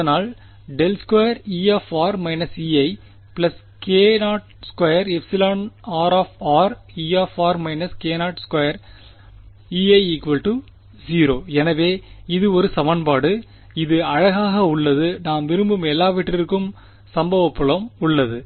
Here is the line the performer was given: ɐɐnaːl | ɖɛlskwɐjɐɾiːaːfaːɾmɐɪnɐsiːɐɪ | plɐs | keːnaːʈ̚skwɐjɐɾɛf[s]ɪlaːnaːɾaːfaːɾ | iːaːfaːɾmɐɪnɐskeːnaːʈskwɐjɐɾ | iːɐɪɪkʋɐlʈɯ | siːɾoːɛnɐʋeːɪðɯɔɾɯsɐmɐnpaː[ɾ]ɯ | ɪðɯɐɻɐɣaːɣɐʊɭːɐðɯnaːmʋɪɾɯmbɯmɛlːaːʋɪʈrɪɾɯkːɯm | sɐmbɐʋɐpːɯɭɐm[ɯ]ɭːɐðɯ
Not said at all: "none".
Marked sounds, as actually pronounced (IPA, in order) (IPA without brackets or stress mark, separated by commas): s, ɽ, ʊ